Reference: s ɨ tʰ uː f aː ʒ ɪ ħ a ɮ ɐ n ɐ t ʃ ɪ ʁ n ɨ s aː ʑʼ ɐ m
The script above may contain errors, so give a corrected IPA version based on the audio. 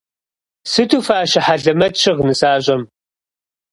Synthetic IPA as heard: s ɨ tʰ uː f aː ʃ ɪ ħ a ɮ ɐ m ɐ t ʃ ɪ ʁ n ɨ s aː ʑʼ ɐ m